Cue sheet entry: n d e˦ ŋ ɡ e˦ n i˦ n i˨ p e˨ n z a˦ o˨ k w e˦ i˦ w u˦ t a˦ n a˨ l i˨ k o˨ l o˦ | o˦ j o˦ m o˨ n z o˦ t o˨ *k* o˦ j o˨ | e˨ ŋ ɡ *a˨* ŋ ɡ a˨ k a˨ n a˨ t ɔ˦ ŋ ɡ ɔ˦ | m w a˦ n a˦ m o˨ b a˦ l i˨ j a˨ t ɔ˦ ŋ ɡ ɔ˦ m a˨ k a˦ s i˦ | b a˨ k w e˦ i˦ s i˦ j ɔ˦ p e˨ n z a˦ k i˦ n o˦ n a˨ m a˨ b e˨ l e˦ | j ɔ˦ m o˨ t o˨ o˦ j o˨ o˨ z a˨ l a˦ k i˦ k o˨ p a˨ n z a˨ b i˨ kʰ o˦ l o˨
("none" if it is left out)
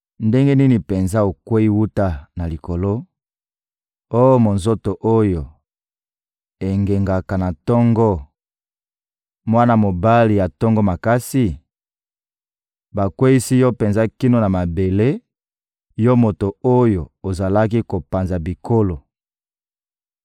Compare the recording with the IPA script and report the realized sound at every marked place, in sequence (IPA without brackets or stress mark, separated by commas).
ʔ, e˨